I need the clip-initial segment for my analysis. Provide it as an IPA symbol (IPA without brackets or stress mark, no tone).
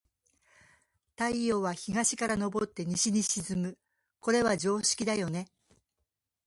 t̪